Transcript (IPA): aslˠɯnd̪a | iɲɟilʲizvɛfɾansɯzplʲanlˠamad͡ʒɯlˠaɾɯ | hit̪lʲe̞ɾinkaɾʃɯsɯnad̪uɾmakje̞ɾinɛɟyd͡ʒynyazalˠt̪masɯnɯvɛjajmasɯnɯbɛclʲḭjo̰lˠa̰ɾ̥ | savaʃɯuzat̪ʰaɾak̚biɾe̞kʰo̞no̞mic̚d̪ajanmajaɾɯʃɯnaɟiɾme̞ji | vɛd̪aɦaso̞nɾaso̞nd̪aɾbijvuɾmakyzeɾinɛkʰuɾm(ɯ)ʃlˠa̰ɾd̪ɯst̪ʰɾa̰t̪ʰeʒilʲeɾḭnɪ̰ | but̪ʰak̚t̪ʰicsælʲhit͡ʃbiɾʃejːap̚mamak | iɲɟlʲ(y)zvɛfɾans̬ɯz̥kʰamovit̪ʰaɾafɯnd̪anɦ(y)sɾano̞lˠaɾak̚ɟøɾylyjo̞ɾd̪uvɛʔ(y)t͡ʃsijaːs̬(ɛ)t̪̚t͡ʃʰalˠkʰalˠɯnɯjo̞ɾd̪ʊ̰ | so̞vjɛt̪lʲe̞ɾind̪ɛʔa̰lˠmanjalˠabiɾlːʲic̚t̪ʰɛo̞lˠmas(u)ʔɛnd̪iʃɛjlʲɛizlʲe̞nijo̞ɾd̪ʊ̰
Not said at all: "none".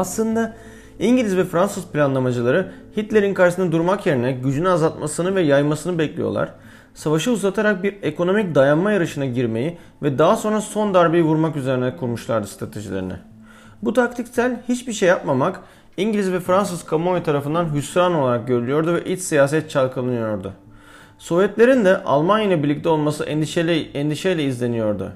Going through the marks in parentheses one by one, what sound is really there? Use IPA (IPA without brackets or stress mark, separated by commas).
u, i, y, i, ɛ, ɯ